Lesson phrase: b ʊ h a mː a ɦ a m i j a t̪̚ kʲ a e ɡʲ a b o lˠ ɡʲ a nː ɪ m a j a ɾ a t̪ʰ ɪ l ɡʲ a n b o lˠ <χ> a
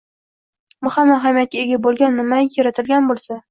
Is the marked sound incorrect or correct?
incorrect